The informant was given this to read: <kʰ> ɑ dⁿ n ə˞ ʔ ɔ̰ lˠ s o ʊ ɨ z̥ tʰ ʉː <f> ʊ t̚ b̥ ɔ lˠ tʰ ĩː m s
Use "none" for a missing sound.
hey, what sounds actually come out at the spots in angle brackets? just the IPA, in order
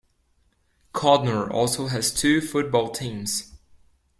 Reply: kʰ, f

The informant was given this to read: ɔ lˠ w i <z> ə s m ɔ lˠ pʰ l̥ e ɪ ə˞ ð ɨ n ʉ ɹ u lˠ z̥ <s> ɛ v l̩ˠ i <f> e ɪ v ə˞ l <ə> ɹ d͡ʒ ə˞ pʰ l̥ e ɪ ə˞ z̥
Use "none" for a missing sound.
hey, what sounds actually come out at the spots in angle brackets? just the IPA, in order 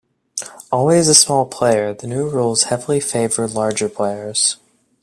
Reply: z, h, f, ɑ

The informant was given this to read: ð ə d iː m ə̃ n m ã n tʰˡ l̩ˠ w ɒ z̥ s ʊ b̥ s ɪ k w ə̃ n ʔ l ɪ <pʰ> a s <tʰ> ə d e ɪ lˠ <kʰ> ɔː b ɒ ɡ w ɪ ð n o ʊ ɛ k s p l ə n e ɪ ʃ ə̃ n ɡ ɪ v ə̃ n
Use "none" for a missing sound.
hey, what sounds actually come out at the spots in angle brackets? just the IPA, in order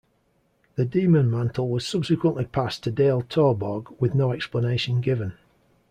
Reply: pʰ, tʰ, tʰ

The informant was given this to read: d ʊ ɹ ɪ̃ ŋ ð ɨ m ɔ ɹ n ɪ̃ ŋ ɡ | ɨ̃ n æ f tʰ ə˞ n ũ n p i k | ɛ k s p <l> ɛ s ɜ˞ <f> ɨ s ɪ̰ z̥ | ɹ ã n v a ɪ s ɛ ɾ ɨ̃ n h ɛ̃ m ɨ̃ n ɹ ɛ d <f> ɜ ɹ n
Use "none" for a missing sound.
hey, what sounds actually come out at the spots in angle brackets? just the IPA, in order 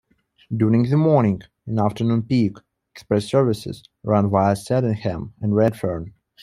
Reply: ɹ, v, f

